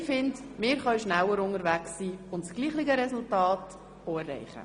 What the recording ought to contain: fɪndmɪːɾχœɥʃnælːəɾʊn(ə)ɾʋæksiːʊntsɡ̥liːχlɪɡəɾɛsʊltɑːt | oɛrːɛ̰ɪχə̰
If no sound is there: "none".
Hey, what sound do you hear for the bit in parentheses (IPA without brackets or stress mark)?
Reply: ə